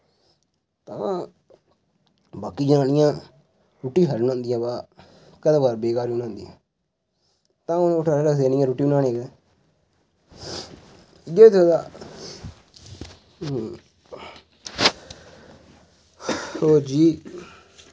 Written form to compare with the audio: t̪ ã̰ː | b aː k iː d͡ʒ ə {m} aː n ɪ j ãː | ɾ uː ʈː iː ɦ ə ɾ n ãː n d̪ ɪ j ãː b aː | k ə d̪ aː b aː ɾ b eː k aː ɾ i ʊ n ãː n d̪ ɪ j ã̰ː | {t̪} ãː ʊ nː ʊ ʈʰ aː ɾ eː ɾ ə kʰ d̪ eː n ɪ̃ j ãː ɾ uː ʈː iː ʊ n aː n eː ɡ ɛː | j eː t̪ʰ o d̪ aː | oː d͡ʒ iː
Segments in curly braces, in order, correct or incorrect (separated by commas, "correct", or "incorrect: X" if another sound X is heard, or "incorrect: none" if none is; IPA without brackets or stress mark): incorrect: n, correct